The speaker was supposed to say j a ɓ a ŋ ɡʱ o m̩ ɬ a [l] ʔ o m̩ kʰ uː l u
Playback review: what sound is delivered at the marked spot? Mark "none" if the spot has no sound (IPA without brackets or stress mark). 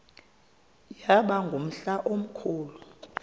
none